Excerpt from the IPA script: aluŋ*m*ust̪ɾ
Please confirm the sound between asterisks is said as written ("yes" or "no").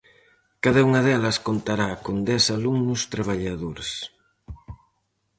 no